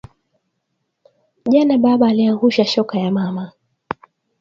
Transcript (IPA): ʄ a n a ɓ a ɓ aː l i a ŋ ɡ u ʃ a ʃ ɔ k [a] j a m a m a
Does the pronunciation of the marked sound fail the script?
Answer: no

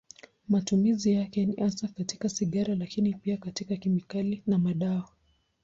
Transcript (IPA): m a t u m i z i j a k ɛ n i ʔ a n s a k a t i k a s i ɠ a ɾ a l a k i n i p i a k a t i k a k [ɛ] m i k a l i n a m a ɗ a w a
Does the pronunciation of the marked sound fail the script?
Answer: yes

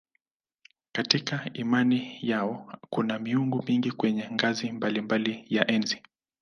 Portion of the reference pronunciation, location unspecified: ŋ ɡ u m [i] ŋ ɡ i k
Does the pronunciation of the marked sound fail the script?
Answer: no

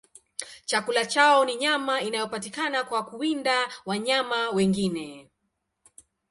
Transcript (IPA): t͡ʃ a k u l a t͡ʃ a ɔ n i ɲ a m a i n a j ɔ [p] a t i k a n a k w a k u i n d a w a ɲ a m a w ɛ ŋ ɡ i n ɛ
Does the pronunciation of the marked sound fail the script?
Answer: no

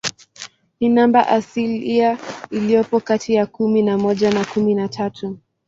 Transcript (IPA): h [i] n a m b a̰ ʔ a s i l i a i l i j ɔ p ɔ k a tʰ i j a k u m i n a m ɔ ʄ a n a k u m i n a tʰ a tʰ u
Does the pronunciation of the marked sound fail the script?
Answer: no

